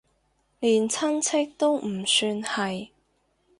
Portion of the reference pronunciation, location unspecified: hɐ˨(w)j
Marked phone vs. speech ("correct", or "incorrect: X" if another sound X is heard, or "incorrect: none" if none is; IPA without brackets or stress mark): incorrect: none